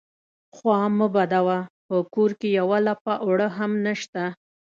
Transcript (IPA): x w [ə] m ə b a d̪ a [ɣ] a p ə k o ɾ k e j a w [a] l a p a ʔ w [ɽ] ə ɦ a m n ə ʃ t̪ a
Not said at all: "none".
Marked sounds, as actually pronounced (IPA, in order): ɑ, w, a, ɽ

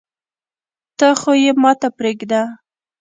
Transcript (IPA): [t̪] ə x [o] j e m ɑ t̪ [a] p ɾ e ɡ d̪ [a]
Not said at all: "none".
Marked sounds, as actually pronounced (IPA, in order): t̪, o, a, a

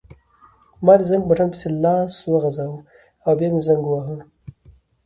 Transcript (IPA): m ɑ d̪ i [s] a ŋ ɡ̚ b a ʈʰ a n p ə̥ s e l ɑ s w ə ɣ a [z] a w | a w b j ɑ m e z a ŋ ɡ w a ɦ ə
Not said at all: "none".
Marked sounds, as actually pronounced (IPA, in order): z, z

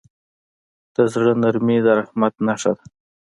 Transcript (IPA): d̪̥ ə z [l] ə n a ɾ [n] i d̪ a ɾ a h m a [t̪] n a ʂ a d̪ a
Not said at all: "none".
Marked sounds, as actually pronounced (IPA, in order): ɽ, m, t̪

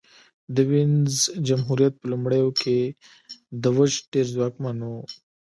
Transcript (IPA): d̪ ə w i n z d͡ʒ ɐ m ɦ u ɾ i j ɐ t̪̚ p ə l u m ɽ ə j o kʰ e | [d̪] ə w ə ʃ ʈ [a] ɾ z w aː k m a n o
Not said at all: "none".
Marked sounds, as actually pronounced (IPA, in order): d̪, e

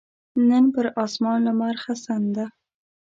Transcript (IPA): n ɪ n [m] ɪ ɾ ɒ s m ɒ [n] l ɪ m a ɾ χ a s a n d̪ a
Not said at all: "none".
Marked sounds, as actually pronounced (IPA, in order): b, n

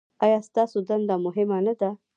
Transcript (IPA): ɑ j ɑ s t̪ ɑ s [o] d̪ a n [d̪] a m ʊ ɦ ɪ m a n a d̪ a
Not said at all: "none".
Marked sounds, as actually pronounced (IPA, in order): o, d̪

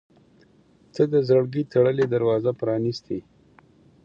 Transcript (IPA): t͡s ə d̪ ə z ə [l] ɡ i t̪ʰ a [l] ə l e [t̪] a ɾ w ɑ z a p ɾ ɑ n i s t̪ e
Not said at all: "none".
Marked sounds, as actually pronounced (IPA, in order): ɽ, ɽ, d̪

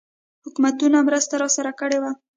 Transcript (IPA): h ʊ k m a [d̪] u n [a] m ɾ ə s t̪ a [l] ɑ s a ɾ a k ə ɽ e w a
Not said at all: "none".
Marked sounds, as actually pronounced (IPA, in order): t̪, a, ɾ

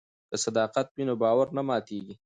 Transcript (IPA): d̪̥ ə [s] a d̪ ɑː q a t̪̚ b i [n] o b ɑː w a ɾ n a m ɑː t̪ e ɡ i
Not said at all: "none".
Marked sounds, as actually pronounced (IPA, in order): s, n

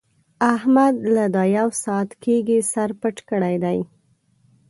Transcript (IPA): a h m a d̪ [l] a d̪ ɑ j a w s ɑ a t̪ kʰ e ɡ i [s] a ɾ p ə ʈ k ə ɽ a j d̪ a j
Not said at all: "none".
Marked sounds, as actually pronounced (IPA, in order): l, s

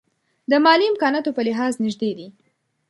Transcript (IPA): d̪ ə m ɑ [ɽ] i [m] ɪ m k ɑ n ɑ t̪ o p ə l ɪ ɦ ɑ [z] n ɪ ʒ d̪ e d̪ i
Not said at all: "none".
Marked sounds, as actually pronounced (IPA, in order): l, none, z

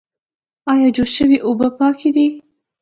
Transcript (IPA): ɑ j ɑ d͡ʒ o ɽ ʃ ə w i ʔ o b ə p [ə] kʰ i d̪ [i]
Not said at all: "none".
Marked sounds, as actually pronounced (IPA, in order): ɑ, i

